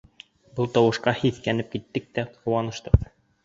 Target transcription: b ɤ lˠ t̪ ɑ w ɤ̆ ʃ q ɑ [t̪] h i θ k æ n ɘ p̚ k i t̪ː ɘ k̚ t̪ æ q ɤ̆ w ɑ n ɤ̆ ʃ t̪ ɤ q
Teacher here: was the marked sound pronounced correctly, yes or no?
no